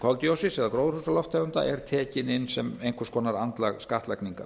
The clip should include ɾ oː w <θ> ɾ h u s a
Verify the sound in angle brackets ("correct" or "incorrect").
incorrect